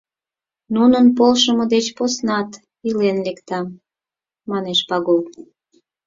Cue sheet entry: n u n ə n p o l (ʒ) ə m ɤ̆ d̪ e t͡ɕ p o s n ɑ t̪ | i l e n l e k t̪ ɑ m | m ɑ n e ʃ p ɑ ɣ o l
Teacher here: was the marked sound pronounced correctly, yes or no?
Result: no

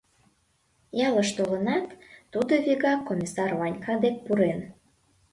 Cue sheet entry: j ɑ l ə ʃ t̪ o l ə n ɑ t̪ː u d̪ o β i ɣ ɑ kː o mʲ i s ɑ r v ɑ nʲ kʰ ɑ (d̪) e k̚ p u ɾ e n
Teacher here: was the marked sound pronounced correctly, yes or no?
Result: yes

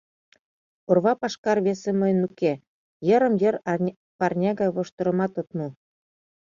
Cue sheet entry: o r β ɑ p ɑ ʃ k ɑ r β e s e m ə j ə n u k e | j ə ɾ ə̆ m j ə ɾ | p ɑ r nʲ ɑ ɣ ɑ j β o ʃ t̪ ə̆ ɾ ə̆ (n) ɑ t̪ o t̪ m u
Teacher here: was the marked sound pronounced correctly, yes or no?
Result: no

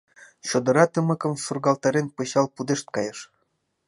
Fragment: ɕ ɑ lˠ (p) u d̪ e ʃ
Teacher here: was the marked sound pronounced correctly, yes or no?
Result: yes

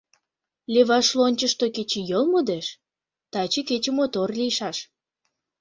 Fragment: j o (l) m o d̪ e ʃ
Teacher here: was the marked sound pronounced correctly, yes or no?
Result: yes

